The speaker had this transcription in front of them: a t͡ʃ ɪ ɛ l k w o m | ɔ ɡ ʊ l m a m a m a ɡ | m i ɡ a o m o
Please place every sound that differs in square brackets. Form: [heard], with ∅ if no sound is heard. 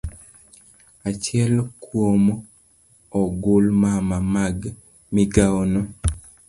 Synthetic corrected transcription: a t͡ʃ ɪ ɛ l k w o m | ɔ ɡ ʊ l m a m a m a ɡ | m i ɡ a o [n] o